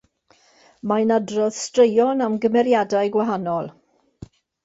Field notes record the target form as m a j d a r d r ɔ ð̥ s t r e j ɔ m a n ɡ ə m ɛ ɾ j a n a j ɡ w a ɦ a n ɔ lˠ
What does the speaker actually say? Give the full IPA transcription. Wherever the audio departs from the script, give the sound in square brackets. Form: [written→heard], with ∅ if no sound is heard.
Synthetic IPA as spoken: m a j [d→n] a [r→∅] d r ɔ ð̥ s t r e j ɔ [m→n] a [n→m] ɡ ə m ɛ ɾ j a [n→d] a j ɡ w a ɦ a n ɔ lˠ